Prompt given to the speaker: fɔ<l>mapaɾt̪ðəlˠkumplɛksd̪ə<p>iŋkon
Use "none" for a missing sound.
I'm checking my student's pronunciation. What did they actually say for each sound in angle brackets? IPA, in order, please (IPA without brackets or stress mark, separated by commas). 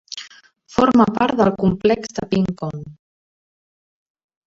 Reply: ɾ, p